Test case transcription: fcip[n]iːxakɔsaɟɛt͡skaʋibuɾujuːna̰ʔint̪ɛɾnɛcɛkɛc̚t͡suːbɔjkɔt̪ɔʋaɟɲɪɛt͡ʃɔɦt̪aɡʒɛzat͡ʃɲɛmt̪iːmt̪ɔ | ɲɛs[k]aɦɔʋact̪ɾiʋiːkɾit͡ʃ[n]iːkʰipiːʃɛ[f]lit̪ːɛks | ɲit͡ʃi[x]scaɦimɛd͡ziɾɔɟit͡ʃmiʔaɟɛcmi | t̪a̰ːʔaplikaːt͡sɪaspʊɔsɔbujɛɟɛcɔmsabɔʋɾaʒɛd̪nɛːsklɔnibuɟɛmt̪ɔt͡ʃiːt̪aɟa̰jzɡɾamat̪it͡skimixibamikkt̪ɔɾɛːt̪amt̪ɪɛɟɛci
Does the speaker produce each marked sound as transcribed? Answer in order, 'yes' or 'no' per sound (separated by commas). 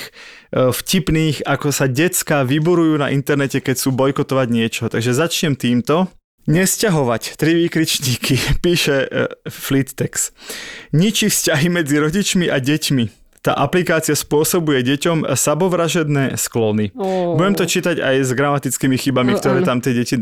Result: yes, no, no, yes, no